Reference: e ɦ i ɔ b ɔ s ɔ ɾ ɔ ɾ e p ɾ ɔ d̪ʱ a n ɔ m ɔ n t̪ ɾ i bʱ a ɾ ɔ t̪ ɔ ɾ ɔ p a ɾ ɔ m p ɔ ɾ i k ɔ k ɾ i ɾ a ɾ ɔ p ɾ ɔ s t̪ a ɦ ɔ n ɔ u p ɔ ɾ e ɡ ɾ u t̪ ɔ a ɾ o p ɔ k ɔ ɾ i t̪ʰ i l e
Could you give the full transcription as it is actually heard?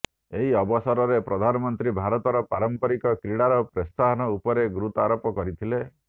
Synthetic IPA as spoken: e ɦ i ɔ b ɔ s ɔ ɾ ɔ ɾ e p ɾ ɔ d̪ʱ a n ɔ m ɔ n t̪ ɾ i bʱ a ɾ ɔ t̪ ɔ ɾ ɔ p a ɾ ɔ m p ɔ ɾ i k ɔ k ɾ i ɽ a ɾ ɔ p ɾ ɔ s t̪ a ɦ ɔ n ɔ u p ɔ ɾ e ɡ ɾ u t̪ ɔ a ɾ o p ɔ k ɔ ɾ i t̪ʰ i l e